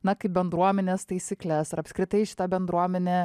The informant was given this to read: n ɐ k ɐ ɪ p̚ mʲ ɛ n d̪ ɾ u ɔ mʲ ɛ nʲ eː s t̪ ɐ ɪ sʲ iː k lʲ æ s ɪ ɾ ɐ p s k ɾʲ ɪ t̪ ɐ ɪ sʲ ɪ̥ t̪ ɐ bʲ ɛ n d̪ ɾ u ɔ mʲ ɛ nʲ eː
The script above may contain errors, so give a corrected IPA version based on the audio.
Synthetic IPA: n ɐ k ɐ ɪ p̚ bʲ ɛ n d̪ ɾ u ɔ mʲ ɛ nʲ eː s t̪ ɐ ɪ sʲ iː k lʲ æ s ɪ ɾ ɐ p s k ɾʲ ɪ t̪ ɐ ɪ ʃʲ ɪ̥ t̪ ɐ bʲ ɛ n d̪ ɾ u ɔ mʲ ɛ nʲ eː